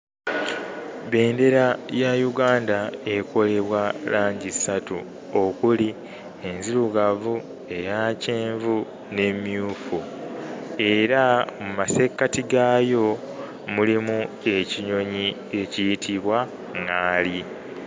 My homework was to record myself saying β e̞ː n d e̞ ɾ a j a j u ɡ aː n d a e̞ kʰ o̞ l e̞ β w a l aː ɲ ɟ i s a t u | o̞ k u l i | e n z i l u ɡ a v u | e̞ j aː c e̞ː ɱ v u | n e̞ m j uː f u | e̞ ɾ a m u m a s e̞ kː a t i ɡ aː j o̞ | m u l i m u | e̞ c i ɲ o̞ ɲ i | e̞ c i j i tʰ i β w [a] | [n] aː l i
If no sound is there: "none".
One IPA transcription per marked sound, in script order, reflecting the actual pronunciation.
a, ŋ

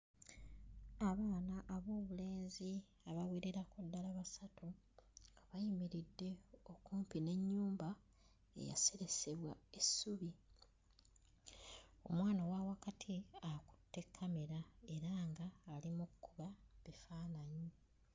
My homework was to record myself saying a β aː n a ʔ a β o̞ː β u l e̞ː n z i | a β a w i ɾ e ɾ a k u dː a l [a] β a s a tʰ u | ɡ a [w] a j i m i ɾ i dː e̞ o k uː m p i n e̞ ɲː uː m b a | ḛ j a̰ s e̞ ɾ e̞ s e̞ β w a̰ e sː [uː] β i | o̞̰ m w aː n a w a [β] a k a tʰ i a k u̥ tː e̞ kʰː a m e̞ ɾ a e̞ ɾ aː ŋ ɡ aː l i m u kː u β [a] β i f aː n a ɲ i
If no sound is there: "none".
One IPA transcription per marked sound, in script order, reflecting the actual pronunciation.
a, β, u, w, a

